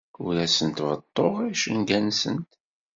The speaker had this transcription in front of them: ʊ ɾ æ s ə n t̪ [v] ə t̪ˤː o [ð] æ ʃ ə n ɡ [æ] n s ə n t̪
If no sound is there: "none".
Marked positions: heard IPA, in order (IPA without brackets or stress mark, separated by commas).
v, ʁ, æ